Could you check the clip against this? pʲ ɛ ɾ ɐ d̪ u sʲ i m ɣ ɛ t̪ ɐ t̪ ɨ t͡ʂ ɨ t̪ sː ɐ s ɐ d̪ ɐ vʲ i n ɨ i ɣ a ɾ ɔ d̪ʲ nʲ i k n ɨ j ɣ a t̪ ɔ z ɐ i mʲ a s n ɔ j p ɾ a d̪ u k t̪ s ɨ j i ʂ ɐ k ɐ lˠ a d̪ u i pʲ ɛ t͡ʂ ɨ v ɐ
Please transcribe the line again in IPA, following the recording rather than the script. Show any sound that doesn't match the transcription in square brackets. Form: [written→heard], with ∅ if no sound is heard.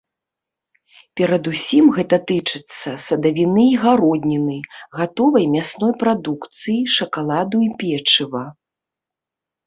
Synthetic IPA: pʲ ɛ ɾ ɐ d̪ u sʲ i m ɣ ɛ t̪ ɐ t̪ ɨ t͡ʂ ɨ t̪ sː ɐ s ɐ d̪ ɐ vʲ i n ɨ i ɣ a ɾ ɔ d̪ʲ nʲ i [k→∅] n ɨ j ɣ a t̪ ɔ [z→v] ɐ [i→j] mʲ a s n ɔ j p ɾ a d̪ u k t̪ s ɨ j i ʂ ɐ k [ɐ→a] lˠ a d̪ u i pʲ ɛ t͡ʂ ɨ v ɐ

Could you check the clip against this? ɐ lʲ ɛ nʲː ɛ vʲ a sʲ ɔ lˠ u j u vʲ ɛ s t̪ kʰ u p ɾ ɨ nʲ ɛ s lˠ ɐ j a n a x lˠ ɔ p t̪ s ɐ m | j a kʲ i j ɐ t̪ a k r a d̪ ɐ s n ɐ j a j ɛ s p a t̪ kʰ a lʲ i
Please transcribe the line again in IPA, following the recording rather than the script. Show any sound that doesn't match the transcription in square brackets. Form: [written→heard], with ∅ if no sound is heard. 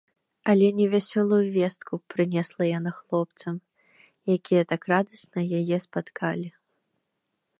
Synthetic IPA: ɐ lʲ ɛ [nʲː→nʲ] ɛ vʲ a sʲ ɔ lˠ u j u vʲ ɛ s t̪ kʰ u p ɾ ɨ nʲ ɛ s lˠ ɐ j a n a x lˠ ɔ p t̪ s ɐ m | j a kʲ i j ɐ t̪ a k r a d̪ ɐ s n ɐ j a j ɛ s p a t̪ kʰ a lʲ i

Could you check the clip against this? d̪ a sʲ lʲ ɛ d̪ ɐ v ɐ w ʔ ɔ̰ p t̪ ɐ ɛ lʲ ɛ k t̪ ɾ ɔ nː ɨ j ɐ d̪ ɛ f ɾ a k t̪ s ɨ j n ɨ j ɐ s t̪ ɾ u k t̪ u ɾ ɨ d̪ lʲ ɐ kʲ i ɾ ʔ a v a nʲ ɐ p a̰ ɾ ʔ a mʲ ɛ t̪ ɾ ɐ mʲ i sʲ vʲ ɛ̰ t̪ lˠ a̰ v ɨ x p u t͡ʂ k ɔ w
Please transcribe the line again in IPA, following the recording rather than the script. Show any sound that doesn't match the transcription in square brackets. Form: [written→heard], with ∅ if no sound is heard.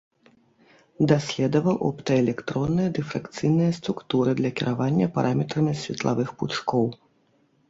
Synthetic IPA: d̪ a sʲ lʲ ɛ d̪ ɐ v ɐ w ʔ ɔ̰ p t̪ ɐ ɛ lʲ ɛ k t̪ ɾ ɔ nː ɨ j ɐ d̪ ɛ f ɾ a k t̪ s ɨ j n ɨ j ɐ s t̪ ɾ u k t̪ u ɾ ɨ d̪ lʲ ɐ kʲ i ɾ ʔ a v a [nʲ→nʲː] ɐ p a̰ ɾ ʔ a mʲ ɛ t̪ ɾ ɐ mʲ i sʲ vʲ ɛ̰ t̪ lˠ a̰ v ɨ x p u t͡ʂ k ɔ w

